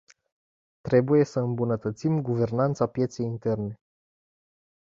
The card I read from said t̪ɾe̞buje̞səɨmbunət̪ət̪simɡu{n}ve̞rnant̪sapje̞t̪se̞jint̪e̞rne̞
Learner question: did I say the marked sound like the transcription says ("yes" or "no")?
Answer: no